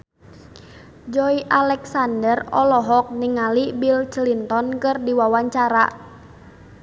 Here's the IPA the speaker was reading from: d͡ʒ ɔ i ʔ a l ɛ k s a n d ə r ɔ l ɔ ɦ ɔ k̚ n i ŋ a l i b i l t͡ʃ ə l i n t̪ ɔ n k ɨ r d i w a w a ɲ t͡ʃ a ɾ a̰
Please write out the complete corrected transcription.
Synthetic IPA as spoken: d͡ʒ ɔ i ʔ a l ɛ k s a n d ə r ɔ l ɔ ɦ ɔ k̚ n i ŋ a l i b i l t͡ʃ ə l i n t̪ ɔ n k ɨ r d i w a w a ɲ t͡ʃ a ɾ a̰